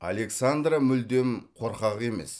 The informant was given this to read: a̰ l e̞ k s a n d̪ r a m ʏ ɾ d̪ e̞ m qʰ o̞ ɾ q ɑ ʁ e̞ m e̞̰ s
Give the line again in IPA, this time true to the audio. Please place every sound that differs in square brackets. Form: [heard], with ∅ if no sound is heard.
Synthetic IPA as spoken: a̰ l e̞ k s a n d̪ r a m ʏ [l] d̪ e̞ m qʰ o̞ ɾ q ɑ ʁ e̞ m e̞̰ s